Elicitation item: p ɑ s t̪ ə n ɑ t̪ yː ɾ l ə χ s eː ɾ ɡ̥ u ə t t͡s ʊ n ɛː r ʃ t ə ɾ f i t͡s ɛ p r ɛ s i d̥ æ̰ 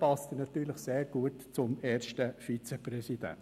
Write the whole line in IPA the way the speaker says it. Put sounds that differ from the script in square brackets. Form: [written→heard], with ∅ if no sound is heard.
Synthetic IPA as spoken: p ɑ s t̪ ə n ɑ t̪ yː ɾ l ə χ s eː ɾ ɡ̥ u ə t t͡s ʊ [n→m] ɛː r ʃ t ə [ɾ→∅] f i t͡s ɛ p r ɛ s i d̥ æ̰